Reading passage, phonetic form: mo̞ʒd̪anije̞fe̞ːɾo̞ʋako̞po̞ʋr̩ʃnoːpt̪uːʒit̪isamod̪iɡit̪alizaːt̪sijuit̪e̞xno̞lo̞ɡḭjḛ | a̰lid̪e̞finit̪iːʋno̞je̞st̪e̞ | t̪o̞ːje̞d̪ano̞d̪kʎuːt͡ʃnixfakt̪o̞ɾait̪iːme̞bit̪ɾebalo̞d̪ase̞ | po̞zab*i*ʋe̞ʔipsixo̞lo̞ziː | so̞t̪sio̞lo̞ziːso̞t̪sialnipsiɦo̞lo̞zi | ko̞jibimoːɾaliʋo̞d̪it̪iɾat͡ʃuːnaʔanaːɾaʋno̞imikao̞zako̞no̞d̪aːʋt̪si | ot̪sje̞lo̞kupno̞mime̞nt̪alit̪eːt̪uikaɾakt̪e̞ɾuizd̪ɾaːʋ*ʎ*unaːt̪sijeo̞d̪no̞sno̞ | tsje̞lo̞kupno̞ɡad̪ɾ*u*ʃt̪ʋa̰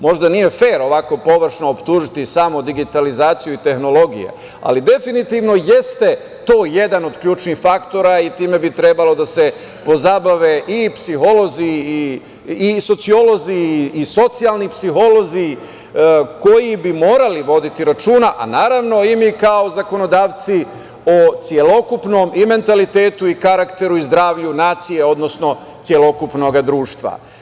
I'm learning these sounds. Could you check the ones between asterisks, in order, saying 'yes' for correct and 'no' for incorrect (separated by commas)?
no, yes, no